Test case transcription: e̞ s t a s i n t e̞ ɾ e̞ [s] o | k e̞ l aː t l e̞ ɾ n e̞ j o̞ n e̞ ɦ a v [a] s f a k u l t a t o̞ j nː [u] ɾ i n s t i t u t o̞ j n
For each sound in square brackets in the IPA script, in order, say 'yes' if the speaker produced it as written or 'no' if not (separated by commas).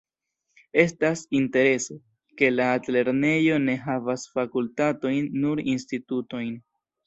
yes, yes, yes